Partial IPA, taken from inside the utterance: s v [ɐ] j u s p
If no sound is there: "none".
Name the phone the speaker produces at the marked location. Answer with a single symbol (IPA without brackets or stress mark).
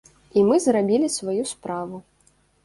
a